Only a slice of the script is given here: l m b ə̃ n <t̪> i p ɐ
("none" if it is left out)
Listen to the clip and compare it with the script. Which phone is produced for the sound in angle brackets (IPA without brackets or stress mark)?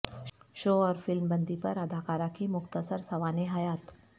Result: d̪